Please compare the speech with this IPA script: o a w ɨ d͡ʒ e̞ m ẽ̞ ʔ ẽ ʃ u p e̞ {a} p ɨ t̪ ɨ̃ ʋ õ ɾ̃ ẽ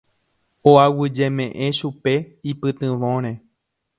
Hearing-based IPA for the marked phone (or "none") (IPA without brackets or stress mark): i